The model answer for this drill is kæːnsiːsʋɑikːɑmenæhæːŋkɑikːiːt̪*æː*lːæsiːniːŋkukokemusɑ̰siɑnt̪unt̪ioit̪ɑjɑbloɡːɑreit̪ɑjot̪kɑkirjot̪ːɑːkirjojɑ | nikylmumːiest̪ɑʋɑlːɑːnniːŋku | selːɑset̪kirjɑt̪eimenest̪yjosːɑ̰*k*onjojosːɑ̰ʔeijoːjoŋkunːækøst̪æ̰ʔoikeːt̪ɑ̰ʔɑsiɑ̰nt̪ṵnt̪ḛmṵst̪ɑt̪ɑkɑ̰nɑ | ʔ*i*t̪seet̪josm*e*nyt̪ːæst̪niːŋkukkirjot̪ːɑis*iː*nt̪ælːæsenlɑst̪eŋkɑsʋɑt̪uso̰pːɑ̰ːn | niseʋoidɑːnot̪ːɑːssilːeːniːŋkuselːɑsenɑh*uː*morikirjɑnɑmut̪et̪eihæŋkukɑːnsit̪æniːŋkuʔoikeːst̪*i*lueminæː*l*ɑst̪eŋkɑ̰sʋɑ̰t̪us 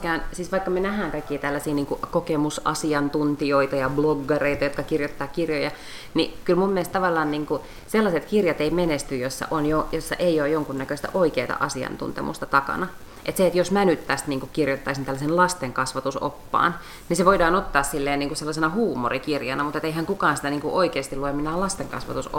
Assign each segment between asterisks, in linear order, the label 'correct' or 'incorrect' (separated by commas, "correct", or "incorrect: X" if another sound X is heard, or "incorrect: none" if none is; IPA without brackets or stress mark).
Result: incorrect: æ, incorrect: ʔ, incorrect: e, incorrect: æ, incorrect: i, correct, correct, correct